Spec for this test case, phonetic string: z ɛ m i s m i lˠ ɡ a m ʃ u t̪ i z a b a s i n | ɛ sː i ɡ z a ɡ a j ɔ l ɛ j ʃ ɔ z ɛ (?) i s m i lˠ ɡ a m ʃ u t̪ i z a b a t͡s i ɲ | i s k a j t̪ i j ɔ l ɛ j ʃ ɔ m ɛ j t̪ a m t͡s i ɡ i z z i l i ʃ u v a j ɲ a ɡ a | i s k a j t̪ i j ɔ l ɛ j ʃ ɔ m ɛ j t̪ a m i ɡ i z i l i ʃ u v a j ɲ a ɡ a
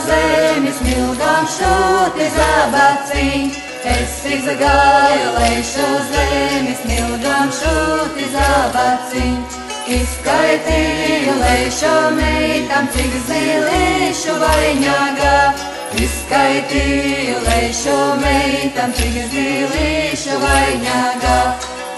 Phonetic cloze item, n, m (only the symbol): m